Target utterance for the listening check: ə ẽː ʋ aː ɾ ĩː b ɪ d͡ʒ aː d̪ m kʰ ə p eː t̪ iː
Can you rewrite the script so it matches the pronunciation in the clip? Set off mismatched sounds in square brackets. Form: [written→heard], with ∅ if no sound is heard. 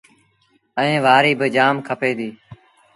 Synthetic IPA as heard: ə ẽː ʋ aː ɾ [ĩː→iː] b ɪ d͡ʒ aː [d̪→∅] m kʰ ə p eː [t̪→d̪] iː